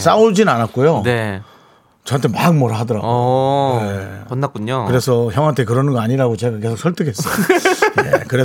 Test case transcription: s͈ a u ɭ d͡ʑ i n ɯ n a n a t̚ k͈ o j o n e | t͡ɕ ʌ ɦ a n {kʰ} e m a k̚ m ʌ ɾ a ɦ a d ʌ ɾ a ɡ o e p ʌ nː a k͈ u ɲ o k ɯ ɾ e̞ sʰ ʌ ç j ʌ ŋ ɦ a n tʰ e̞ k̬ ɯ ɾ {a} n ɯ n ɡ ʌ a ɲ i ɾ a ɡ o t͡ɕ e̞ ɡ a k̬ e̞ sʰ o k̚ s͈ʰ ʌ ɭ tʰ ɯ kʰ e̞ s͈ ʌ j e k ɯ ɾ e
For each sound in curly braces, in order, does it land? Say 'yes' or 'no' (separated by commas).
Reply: no, no